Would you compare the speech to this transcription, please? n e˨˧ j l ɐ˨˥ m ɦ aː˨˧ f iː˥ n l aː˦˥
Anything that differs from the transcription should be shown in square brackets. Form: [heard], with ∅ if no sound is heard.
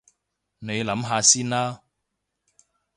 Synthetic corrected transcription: n e˨˧ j l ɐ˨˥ m ɦ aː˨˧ [s] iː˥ n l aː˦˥